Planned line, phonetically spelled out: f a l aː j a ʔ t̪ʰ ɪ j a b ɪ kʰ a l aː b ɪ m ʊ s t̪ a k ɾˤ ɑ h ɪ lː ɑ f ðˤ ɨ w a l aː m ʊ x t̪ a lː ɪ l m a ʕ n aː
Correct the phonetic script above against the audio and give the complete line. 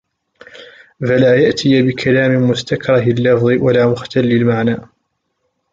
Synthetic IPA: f a l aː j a ʔ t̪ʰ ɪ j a b ɪ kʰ a l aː m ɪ m ʊ s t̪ a k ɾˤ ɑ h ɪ lː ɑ f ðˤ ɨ w a l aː m ʊ x t̪ a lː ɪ l m a ʕ n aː